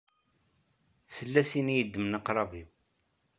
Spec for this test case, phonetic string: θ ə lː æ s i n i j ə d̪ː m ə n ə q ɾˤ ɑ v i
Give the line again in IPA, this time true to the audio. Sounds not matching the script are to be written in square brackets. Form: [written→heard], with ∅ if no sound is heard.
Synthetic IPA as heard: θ ə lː æ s i n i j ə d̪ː m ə n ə q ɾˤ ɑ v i

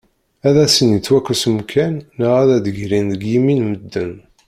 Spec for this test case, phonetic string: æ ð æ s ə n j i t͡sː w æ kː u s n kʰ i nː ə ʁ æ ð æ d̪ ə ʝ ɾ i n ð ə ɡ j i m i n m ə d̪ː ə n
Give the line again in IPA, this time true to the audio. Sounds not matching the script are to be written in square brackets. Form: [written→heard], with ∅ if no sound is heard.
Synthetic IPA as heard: æ ð æ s ə n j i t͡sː w æ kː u s [n→m] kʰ [i→æ] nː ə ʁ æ ð æ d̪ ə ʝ ɾ i n ð ə ɡ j i m i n m ə d̪ː ə n

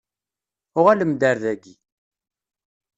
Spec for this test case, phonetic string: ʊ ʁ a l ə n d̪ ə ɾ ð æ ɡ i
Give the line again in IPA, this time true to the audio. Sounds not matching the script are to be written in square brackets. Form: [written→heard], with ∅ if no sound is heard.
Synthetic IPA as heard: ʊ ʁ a l ə [n→m] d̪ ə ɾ ð æ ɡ i

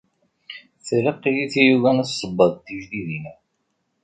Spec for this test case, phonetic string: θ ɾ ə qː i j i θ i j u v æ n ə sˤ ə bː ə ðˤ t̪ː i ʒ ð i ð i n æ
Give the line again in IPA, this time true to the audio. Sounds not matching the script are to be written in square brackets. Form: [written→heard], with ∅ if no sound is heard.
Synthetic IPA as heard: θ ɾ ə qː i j i θ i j u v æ n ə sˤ ə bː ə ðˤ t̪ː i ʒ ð i ð i n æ

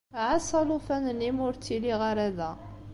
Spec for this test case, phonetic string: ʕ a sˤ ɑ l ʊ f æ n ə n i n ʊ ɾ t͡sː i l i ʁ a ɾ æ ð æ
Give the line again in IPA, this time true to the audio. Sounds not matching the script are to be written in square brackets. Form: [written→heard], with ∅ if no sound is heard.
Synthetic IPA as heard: ʕ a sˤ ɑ l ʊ f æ n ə n i [n→m] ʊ ɾ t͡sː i l i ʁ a ɾ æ ð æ

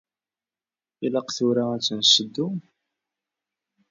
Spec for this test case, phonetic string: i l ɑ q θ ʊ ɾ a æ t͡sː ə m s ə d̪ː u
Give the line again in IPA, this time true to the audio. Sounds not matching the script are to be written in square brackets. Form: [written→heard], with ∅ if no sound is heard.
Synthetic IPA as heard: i l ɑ q θ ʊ ɾ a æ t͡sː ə [m→n] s ə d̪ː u

